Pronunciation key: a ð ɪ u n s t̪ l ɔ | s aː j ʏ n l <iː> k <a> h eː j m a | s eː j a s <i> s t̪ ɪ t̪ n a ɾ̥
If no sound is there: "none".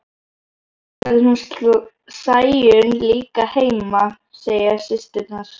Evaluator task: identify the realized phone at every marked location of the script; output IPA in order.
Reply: iː, a, ɪ

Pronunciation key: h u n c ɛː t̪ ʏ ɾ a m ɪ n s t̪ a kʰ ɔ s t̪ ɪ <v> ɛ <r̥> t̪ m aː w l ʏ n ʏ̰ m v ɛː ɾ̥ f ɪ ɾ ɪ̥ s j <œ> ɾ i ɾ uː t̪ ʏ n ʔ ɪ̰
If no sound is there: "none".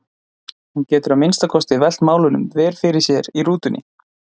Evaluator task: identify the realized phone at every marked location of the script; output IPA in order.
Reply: v, l̥, ɛ

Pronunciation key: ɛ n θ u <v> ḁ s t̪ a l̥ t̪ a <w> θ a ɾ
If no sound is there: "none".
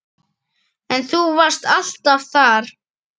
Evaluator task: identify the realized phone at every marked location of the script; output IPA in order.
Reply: v, v

